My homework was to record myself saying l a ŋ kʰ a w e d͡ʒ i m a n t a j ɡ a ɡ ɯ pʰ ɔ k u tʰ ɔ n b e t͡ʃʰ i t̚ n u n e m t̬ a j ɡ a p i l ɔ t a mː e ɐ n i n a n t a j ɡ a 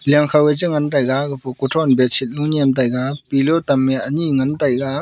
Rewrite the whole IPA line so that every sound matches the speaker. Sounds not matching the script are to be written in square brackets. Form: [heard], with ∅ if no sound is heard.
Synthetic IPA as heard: l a ŋ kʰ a w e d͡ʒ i [ŋ] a n t a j ɡ a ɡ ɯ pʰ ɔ k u tʰ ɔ n b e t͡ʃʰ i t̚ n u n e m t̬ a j ɡ a p i l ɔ t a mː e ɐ n i [ŋ] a n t a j ɡ a